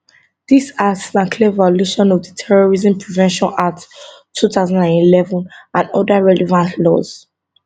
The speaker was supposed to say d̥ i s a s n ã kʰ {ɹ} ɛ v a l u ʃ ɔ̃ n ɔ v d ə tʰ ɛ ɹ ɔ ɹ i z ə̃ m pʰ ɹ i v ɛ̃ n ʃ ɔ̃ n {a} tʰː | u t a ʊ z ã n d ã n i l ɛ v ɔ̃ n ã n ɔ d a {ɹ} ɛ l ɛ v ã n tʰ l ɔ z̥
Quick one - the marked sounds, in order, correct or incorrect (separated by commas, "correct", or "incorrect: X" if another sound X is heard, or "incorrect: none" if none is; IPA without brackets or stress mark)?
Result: incorrect: l, correct, correct